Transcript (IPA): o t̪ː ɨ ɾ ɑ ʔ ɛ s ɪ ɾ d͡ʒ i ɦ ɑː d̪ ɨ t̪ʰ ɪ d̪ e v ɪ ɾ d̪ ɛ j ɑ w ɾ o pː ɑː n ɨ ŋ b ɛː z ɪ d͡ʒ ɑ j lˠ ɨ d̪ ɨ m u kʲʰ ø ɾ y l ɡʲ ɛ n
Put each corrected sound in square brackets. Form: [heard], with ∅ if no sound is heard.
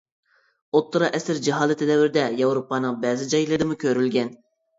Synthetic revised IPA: o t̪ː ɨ ɾ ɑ ʔ ɛ s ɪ ɾ d͡ʒ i ɦ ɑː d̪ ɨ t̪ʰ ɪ d̪ [ɛ] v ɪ ɾ d̪ ɛ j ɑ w ɾ o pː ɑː n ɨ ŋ b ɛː z ɪ d͡ʒ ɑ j lˠ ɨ d̪ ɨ m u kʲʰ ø ɾ y l ɡʲ ɛ n